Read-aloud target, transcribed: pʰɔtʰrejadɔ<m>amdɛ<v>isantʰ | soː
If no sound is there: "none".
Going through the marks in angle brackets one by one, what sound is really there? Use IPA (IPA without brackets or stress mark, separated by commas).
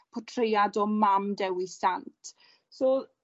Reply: m, w